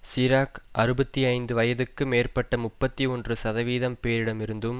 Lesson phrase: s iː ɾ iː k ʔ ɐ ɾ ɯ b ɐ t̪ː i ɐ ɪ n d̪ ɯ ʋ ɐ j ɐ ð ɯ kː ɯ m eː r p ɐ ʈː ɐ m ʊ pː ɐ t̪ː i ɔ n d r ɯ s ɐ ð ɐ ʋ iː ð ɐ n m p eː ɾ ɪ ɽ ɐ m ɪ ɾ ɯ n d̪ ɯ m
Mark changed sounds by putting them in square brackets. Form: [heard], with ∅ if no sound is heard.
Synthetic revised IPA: s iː ɾ [aː] k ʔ ɐ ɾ ɯ b ɐ t̪ː i ɐ ɪ n d̪ ɯ ʋ ɐ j ɐ ð ɯ kː ɯ m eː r p ɐ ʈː ɐ m ʊ pː ɐ t̪ː i ɔ n d r ɯ s ɐ ð ɐ ʋ iː ð ɐ [∅] m p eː ɾ ɪ ɽ ɐ m ɪ ɾ ɯ n d̪ ɯ m